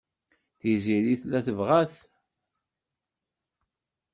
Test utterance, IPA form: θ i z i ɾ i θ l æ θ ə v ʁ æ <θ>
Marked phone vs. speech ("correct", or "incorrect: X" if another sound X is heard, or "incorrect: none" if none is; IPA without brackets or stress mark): correct